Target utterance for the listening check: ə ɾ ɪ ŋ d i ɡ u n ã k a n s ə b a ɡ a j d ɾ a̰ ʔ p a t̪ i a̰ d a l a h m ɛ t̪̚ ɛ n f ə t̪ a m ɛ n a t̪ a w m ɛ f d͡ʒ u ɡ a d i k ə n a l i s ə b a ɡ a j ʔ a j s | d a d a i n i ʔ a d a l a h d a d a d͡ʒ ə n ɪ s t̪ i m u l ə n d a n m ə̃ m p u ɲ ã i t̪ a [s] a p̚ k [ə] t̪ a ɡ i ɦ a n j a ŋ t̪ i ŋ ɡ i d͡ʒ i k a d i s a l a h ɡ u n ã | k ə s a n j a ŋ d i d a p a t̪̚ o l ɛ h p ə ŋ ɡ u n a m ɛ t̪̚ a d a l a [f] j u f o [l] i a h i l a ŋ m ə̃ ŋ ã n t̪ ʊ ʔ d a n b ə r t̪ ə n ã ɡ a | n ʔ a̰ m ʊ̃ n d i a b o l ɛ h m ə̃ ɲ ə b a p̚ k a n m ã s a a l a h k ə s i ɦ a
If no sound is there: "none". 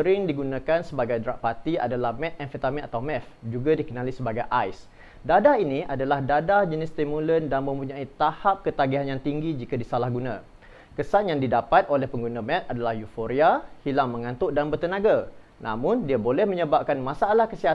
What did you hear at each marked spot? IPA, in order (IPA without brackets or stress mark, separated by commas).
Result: h, ə, h, ɾ